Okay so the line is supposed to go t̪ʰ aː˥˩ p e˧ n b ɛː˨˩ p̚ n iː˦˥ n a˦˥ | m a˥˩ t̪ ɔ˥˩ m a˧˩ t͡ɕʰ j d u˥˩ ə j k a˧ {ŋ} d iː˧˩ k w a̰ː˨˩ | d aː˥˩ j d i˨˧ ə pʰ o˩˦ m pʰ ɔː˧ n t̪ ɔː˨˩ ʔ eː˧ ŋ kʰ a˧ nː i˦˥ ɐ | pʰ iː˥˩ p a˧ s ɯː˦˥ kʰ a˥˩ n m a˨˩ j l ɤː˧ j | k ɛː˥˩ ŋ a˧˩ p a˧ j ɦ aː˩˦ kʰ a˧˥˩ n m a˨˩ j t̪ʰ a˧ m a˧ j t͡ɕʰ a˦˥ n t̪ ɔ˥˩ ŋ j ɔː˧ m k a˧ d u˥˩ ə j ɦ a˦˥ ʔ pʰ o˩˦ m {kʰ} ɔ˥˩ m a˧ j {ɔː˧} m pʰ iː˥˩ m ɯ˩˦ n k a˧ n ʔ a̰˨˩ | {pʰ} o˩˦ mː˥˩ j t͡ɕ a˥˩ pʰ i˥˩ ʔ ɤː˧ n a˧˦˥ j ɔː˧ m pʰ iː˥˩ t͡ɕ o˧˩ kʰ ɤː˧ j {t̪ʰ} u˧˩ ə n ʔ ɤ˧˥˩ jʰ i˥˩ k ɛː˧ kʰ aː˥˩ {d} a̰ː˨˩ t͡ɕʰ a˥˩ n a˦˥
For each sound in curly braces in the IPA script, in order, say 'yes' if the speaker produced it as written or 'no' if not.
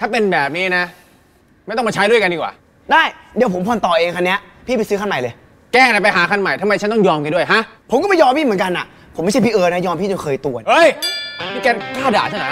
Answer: no, no, yes, yes, no, yes

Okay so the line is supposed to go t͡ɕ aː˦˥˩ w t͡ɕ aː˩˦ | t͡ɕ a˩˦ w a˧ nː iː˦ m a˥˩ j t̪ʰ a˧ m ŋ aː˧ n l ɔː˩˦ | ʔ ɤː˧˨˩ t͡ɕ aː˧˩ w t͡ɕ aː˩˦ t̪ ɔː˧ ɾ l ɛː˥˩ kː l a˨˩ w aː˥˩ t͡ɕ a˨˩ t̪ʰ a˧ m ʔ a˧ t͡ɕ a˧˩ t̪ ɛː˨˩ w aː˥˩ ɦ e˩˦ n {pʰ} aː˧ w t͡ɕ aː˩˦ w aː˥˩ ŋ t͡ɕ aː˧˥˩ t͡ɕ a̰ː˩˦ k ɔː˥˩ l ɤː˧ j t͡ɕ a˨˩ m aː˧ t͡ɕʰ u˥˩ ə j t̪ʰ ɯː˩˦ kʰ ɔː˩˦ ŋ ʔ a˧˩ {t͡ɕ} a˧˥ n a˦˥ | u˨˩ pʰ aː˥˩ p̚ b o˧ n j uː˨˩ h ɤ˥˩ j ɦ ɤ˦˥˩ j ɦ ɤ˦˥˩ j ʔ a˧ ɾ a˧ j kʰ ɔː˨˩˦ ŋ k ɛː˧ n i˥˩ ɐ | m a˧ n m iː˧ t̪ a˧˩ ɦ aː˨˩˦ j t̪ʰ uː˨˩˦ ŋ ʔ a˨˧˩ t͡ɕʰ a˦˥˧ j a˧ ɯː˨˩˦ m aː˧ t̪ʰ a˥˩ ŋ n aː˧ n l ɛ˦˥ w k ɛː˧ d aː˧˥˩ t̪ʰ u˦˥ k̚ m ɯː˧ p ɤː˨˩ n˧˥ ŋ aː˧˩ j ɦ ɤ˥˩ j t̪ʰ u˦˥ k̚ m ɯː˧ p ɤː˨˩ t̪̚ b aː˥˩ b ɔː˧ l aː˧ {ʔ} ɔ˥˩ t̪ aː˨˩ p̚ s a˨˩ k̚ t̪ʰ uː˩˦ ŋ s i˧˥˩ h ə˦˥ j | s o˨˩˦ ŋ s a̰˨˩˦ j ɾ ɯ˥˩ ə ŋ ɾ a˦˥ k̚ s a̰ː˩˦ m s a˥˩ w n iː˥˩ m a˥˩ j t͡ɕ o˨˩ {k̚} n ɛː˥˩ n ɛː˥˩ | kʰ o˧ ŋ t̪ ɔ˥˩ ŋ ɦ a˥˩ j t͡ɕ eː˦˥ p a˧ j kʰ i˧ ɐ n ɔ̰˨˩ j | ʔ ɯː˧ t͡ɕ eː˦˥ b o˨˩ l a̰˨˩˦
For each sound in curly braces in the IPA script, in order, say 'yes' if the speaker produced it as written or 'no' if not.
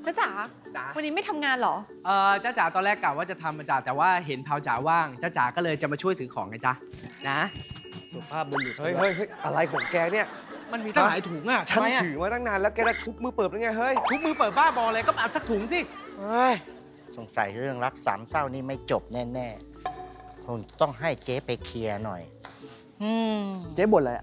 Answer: yes, yes, no, no

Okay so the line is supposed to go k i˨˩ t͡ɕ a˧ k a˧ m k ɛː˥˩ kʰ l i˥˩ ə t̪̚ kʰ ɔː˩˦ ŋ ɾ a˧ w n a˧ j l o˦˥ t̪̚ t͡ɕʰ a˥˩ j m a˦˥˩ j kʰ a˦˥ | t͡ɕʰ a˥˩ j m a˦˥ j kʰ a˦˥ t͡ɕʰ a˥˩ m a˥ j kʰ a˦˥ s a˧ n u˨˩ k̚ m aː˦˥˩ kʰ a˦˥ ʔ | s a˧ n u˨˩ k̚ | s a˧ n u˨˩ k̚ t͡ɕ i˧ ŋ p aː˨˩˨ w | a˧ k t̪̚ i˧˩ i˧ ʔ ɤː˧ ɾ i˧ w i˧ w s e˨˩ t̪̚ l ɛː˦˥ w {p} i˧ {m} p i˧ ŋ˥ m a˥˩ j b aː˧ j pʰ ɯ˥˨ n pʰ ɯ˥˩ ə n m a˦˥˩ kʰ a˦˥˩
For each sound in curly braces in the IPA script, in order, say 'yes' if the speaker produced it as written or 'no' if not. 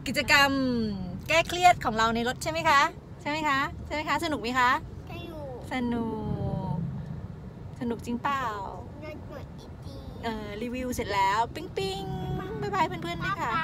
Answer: yes, no

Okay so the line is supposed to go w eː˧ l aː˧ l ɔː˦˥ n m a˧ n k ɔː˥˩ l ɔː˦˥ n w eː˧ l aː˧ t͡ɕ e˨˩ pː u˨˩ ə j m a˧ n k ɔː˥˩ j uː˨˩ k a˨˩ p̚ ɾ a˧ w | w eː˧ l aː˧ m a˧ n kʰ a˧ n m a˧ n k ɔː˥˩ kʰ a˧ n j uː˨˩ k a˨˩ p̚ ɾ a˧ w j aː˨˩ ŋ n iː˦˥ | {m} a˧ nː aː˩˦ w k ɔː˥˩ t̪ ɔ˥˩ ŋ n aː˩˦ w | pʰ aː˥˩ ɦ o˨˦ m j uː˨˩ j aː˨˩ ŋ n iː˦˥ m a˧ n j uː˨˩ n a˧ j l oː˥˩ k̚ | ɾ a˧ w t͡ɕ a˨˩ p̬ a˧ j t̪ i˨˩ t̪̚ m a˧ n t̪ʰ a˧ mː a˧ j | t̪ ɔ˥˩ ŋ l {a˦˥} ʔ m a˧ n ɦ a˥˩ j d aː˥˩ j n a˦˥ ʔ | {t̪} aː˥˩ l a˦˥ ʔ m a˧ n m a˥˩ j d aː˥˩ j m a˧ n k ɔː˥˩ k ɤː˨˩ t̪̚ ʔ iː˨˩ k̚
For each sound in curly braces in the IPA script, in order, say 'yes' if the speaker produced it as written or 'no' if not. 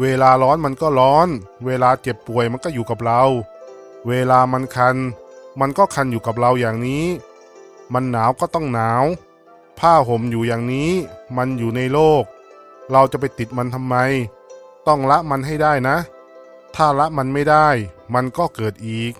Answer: yes, yes, no

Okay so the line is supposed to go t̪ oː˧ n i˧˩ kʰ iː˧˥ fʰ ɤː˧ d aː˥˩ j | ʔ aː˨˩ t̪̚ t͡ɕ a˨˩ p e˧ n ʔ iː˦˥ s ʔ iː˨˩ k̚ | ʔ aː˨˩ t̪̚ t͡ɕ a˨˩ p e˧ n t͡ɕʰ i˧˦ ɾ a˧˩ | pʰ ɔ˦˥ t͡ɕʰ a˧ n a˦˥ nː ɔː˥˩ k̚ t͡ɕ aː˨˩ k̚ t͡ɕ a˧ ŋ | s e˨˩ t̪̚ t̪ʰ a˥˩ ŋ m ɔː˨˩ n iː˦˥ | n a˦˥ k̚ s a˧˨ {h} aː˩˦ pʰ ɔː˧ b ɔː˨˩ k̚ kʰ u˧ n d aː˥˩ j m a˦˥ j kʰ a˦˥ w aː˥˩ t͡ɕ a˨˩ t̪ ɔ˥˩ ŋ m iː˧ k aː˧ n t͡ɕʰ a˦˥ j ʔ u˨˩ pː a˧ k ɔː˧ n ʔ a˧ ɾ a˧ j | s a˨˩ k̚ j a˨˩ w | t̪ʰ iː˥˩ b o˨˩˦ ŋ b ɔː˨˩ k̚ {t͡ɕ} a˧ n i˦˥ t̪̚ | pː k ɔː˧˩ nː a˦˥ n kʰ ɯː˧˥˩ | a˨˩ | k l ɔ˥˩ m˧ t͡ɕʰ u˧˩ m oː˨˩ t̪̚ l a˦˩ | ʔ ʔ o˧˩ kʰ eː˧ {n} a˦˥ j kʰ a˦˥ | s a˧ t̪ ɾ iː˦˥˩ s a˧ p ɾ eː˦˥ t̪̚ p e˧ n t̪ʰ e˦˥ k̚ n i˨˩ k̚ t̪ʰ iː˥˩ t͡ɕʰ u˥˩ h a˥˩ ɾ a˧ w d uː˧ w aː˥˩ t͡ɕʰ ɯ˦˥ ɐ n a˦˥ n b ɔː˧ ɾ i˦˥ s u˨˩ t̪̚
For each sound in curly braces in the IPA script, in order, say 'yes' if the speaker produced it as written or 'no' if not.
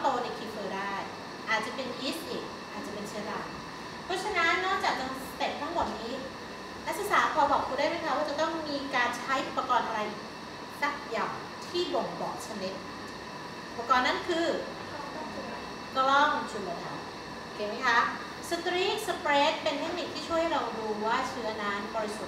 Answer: no, no, no

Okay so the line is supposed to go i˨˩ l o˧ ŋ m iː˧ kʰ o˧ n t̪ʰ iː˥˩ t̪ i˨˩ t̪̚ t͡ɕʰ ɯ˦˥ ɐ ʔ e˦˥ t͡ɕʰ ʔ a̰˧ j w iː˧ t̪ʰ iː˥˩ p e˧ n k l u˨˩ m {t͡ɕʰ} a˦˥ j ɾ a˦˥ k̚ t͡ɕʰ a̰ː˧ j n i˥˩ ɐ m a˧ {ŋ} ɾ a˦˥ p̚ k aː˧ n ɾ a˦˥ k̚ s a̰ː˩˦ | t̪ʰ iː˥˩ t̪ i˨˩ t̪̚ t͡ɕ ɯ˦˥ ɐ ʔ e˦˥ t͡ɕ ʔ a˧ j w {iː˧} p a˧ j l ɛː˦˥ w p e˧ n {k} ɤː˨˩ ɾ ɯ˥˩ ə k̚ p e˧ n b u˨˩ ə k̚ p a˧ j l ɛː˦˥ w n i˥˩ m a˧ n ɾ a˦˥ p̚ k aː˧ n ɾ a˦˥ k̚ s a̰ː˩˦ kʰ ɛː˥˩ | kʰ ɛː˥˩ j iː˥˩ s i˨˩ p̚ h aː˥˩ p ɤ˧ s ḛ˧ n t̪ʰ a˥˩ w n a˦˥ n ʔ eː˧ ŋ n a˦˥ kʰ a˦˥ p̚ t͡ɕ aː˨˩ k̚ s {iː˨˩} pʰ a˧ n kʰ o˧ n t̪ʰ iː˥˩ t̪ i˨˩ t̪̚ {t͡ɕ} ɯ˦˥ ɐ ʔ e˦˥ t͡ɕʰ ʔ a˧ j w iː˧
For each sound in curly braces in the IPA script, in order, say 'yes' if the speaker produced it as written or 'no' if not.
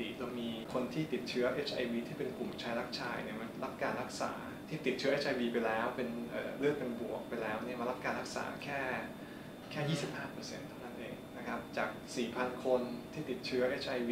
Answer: yes, no, yes, no, yes, no

